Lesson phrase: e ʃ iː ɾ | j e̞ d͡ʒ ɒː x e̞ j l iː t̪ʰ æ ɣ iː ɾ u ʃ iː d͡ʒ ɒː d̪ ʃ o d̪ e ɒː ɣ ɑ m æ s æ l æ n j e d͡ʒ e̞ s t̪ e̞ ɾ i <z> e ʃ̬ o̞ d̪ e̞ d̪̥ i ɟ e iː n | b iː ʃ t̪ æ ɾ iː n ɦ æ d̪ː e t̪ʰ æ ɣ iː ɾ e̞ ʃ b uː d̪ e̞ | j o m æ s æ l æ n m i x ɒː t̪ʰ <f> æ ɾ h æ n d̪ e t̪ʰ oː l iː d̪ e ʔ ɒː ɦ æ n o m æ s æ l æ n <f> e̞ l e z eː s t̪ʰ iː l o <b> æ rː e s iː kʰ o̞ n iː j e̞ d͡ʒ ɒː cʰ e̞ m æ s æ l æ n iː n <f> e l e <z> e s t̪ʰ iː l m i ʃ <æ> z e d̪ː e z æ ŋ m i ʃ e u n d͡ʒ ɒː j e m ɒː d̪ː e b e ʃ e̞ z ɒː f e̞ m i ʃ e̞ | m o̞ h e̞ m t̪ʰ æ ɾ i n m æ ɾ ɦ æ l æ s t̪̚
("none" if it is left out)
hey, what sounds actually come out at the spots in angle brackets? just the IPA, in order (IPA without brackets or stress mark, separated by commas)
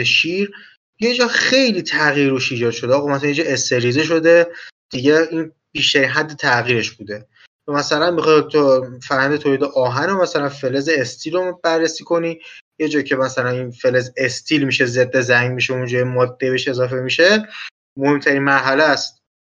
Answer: z, f, f, b, f, z, e